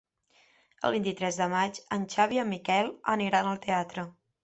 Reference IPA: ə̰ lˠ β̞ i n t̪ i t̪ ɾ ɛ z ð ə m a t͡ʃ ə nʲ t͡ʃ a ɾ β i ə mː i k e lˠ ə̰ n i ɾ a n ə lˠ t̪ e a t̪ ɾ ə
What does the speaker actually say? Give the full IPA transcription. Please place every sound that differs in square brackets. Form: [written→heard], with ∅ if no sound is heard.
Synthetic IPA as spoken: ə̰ lˠ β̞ i n t̪ i t̪ ɾ ɛ z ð ə m a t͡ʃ ə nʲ t͡ʃ a [ɾ→∅] β i ə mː i k [e→ɛ] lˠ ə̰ n i ɾ a n ə lˠ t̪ e a t̪ ɾ ə

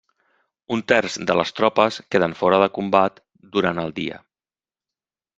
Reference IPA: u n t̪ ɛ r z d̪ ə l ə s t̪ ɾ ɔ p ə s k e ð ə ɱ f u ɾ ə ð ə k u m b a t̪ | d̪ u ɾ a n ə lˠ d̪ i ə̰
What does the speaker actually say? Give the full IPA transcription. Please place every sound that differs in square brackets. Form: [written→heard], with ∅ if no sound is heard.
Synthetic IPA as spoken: u n t̪ ɛ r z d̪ ə l ə s t̪ ɾ ɔ p ə s k e ð ə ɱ f [u→ɔ] ɾ ə ð ə k u m b a t̪ | d̪ u ɾ a n ə lˠ d̪ i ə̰

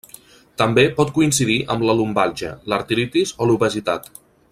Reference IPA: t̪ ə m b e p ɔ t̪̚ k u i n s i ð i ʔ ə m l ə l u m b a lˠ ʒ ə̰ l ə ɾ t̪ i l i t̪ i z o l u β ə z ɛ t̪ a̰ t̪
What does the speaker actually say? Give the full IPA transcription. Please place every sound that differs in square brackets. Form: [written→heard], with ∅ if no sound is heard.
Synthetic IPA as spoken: t̪ ə m b e p ɔ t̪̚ k u i n s i ð i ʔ ə m l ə l u m b a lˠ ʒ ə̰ l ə ɾ t̪ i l i t̪ i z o l u β ə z [ɛ→i] t̪ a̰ t̪

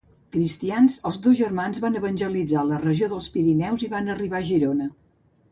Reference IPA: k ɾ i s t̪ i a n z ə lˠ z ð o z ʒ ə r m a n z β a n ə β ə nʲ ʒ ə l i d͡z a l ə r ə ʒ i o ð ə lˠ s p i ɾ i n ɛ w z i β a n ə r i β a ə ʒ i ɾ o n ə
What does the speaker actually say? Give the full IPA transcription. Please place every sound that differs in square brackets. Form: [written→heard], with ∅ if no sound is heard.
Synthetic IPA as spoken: k ɾ i s t̪ i a n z ə lˠ z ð o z ʒ ə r m a n z β a n ə β ə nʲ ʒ ə l i d͡z a l ə r ə ʒ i o ð ə lˠ s p i ɾ i n ɛ w z i β a n ə r i β a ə ʒ i ɾ o n ə

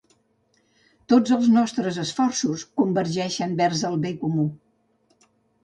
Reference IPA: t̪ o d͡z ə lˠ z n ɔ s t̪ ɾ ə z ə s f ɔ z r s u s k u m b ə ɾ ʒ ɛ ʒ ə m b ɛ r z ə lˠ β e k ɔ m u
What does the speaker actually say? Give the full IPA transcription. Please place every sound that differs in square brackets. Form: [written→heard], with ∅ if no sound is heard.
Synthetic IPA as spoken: t̪ o d͡z ə lˠ z n ɔ s t̪ ɾ ə z ə s f ɔ [z→∅] r s u s k u m b ə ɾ ʒ ɛ [ʒ→ʃ] ə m b ɛ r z ə lˠ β e k [ɔ→u] m u

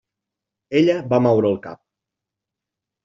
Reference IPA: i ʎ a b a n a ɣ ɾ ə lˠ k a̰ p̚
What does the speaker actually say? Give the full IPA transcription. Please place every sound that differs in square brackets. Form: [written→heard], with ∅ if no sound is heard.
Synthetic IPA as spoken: [i→e] ʎ [a→ə] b a [n→m] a [ɣ→w] ɾ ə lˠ k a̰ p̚

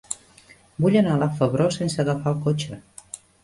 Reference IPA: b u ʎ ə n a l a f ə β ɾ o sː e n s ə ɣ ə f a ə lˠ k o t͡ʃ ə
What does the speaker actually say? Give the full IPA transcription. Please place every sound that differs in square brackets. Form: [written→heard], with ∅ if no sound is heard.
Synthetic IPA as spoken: b u ʎ ə n a l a f ə β ɾ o [sː→s] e n s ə ɣ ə f a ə lˠ k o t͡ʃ ə

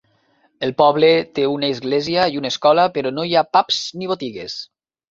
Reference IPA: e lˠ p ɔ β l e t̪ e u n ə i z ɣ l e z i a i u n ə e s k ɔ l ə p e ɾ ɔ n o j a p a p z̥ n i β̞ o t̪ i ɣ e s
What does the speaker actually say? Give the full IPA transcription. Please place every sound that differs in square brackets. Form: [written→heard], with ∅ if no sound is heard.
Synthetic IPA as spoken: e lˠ p ɔ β l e t̪ e u n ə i z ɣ l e z i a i u n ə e s k ɔ l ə p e ɾ ɔ n o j a p a p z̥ n i β̞ o t̪ i ɣ e s

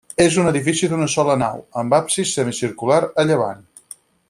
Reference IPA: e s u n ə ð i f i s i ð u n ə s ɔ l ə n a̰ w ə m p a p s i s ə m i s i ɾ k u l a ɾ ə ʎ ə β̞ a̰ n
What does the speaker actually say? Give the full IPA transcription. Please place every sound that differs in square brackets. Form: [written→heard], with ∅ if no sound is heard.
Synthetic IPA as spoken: e [s→z] u n ə ð i f i s i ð u n ə s ɔ l ə n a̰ w ə m [p→b] a p s i s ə m i s i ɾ k u l a ɾ ə ʎ ə β̞ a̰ n

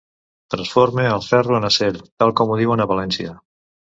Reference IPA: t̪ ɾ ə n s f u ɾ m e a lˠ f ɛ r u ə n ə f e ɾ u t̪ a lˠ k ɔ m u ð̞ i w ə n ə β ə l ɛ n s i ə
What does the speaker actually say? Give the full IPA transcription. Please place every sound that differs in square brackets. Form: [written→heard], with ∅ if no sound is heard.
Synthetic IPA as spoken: t̪ ɾ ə n s f [u→o] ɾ m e [a→ə] lˠ f ɛ r u ə n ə [f→s] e ɾ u t̪ a lˠ k ɔ m u ð̞ i w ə n ə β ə l ɛ n s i ə

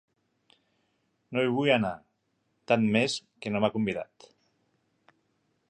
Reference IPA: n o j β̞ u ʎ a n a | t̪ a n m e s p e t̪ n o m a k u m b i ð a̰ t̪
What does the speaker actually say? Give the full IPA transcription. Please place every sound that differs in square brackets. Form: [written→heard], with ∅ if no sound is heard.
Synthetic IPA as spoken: n o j β̞ u [ʎ→j] a n a | t̪ a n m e s [p→k] e [t̪→∅] n o m a k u m b i ð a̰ t̪

